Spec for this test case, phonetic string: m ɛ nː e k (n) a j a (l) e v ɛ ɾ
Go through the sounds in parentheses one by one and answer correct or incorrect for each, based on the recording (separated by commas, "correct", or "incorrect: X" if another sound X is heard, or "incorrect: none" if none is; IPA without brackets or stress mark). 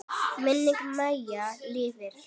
incorrect: m, correct